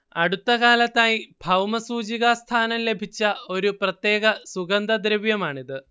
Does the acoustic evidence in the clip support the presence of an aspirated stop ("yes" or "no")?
yes